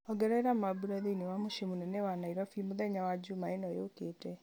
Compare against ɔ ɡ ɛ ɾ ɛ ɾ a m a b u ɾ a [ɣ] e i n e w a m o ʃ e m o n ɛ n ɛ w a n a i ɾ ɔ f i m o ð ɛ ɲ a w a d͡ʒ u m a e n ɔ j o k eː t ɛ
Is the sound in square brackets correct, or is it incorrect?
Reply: incorrect